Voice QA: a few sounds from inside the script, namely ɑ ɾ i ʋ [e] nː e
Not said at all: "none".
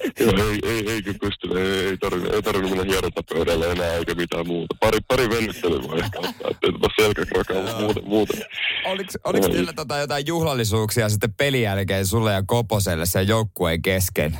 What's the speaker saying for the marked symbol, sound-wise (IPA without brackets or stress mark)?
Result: e